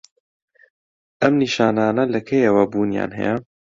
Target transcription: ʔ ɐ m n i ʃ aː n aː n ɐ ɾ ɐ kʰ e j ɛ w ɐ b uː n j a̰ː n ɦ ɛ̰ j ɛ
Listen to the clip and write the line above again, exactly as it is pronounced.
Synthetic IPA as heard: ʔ ɐ m n i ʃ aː n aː n ɐ l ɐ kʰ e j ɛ w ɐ b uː n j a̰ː n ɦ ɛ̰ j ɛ